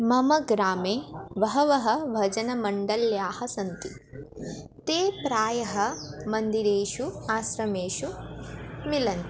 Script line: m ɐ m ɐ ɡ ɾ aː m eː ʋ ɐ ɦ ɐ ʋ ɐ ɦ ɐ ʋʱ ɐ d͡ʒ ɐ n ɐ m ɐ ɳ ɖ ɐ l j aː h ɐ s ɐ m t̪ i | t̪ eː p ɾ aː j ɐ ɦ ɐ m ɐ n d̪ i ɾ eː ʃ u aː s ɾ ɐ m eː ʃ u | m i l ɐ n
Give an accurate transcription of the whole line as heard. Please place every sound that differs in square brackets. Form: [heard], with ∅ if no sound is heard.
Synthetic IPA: m ɐ m ɐ ɡ ɾ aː m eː ʋ ɐ ɦ ɐ ʋ ɐ ɦ ɐ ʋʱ ɐ d͡ʒ ɐ n ɐ m ɐ ɳ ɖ ɐ l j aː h ɐ s ɐ [n] t̪ i | t̪ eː p ɾ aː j ɐ ɦ ɐ m ɐ n d̪ i ɾ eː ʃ u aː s ɾ ɐ m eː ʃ u | m i l ɐ n